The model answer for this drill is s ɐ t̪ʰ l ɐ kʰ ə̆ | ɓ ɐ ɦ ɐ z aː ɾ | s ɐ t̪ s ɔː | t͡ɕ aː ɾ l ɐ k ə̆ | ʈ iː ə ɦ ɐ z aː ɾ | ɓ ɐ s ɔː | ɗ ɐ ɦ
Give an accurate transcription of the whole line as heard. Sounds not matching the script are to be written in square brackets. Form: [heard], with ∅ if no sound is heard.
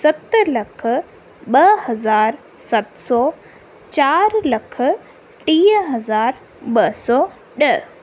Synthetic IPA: s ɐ [t̪] l ɐ kʰ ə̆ | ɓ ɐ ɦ ɐ z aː ɾ | s ɐ t̪ s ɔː | t͡ɕ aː ɾ l ɐ [kʰ] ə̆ | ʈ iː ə ɦ ɐ z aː ɾ | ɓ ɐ s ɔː | ɗ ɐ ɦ